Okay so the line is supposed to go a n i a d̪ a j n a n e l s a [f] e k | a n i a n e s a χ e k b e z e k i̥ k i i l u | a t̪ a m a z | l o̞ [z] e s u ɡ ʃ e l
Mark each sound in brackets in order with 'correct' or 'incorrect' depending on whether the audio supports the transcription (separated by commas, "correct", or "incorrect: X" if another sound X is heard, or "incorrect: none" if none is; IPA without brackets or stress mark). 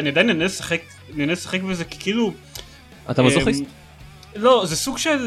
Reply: incorrect: χ, correct